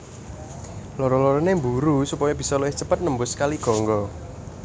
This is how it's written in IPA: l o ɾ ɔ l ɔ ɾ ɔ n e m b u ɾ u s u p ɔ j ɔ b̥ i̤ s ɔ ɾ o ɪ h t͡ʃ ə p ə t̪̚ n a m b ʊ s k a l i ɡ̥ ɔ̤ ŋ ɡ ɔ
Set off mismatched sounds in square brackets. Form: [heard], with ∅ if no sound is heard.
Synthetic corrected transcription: l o ɾ ɔ l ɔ ɾ ɔ n e m b u ɾ u s u p ɔ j ɔ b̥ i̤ s ɔ [l] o ɪ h t͡ʃ ə p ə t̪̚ n [ə] m b ʊ s k a l i ɡ̥ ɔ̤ ŋ ɡ ɔ